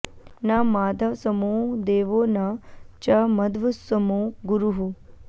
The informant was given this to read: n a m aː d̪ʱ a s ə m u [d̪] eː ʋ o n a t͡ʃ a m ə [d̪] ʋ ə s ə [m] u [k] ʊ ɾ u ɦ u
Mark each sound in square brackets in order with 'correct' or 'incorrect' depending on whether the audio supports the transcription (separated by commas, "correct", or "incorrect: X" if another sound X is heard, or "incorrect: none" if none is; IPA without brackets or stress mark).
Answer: correct, correct, correct, incorrect: ɡ